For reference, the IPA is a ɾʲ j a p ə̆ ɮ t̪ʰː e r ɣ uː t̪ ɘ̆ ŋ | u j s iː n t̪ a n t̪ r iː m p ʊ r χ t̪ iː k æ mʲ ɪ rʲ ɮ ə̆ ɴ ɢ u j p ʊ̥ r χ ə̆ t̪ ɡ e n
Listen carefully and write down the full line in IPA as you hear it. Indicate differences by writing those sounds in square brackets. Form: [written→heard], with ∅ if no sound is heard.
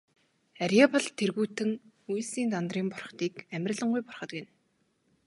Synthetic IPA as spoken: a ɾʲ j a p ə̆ ɮ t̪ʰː e r ɣ uː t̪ ɘ̆ ŋ | u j s iː n t̪ a n t̪ r iː m p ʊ r χ t̪ iː k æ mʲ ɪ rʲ ɮ ə̆ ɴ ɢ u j p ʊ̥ r χ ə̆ t̪ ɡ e n